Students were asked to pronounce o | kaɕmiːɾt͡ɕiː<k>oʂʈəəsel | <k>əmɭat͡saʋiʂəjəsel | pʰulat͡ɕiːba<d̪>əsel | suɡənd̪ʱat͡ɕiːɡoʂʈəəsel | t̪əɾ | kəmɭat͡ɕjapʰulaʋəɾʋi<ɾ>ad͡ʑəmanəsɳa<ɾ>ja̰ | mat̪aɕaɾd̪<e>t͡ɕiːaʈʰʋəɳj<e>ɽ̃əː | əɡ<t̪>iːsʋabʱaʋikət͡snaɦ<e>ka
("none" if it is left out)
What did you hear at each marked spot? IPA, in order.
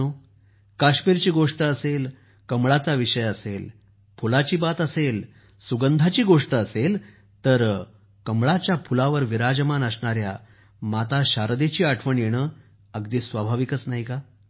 ɡ, k, t̪, ɾ, ɾ, e, e, d̪, i

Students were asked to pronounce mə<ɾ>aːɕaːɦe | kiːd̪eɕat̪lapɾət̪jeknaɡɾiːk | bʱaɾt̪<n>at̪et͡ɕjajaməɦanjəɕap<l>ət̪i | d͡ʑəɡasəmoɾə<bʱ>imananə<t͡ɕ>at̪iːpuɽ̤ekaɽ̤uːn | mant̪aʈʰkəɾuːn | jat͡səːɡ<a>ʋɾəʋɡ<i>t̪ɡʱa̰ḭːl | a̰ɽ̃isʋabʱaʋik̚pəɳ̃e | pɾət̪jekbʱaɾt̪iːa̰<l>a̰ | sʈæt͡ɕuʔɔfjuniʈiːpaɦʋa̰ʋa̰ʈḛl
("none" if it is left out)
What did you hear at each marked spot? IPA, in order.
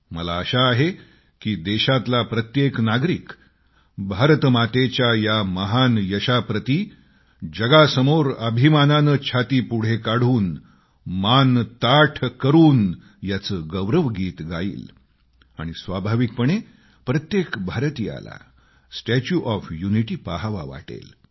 l, m, ɾ, bʱ, t͡ɕʰ, ə, iː, l

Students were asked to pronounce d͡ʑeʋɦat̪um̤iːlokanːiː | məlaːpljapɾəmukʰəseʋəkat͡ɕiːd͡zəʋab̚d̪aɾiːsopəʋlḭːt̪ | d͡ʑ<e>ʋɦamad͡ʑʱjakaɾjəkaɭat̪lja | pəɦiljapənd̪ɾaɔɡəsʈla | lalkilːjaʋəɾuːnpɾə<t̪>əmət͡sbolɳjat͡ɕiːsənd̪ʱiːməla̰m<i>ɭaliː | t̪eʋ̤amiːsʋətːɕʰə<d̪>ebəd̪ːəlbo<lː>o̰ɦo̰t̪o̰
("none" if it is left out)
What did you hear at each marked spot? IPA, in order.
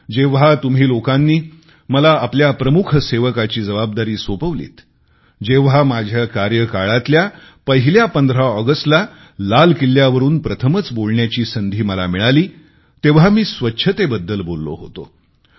e, t̪ʰ, i, t̪, lː

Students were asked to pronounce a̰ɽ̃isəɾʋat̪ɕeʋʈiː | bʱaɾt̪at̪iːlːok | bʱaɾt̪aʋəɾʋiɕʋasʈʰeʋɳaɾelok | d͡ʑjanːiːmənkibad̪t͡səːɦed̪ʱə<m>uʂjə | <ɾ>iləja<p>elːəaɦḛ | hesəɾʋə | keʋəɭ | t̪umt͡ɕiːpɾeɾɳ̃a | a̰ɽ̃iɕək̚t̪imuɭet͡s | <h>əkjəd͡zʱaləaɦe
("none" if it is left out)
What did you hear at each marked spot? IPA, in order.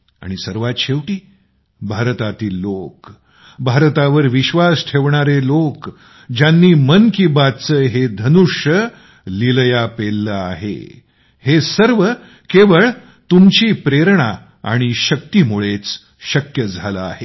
n, l, p, ɕ

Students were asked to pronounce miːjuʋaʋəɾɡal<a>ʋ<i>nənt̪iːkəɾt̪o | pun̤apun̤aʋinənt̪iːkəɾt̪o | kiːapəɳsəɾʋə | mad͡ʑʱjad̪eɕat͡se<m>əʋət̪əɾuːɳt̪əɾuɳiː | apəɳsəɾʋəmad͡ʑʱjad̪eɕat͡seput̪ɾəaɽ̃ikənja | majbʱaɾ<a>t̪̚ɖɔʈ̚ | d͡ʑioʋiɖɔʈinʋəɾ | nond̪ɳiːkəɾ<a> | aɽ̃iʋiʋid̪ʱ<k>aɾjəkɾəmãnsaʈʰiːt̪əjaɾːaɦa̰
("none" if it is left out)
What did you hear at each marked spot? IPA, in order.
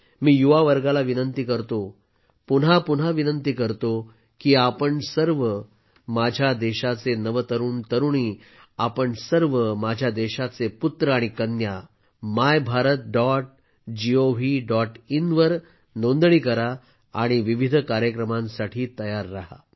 a, i, n, ə, a, k

